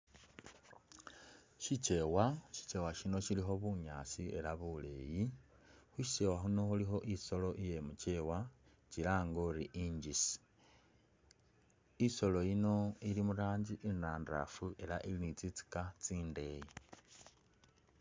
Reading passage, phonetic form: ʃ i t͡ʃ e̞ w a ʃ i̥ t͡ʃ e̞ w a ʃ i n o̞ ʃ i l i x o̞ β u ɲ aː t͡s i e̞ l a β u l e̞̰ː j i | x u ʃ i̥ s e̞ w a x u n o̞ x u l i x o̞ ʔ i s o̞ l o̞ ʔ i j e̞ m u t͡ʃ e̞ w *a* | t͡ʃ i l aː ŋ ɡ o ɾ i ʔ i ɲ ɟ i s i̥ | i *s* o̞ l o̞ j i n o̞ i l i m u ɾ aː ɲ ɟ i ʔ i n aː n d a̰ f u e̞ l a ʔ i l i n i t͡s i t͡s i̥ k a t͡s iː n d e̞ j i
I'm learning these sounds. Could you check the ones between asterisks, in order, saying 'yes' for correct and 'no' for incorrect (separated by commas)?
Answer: yes, yes